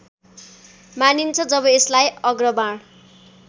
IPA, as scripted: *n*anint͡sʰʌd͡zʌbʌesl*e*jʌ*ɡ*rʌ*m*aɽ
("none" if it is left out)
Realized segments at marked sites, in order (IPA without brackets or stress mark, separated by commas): m, a, ɡ, b